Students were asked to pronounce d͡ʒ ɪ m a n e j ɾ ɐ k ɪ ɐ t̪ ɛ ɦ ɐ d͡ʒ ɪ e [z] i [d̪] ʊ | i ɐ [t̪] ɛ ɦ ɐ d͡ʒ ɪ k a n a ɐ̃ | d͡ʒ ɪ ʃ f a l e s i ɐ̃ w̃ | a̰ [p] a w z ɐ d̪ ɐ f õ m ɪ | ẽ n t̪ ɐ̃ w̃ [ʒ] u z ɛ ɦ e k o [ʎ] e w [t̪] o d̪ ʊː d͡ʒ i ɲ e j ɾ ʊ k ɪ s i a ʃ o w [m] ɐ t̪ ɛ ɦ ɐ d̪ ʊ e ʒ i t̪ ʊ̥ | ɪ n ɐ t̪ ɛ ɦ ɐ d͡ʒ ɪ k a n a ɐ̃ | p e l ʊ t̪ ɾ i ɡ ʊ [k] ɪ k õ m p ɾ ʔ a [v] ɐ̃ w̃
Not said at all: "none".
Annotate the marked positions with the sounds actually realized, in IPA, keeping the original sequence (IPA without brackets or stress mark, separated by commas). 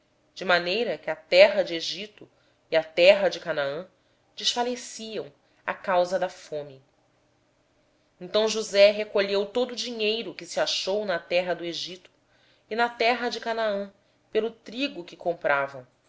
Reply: ʒ, t̪, t̪, k, ʒ, ʎ, t̪, n, k, v